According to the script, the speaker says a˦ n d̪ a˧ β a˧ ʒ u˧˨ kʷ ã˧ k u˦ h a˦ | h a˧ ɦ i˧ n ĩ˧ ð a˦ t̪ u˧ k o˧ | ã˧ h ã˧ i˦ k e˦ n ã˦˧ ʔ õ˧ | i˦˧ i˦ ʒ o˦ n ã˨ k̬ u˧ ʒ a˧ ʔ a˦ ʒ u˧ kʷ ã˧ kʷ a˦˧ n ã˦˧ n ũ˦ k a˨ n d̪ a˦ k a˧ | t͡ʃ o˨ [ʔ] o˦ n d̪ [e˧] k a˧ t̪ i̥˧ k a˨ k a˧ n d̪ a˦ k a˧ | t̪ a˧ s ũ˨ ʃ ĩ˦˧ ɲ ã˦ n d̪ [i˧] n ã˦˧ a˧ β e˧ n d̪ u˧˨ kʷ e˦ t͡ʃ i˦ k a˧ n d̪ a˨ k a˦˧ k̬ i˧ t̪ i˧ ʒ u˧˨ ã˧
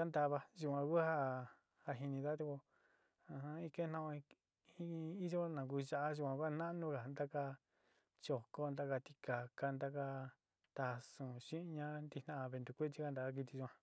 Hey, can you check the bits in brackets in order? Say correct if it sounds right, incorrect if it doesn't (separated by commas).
incorrect, incorrect, correct